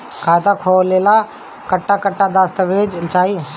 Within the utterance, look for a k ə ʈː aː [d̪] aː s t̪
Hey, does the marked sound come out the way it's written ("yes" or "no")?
yes